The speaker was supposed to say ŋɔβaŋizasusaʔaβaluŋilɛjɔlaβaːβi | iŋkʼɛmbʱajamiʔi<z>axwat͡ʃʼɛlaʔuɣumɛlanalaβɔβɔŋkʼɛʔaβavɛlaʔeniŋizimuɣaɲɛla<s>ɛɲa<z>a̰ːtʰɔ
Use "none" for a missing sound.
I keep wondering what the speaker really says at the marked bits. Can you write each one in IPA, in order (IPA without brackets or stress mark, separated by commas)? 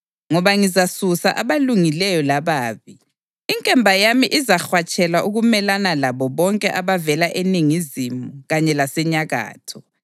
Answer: z, s, ɣ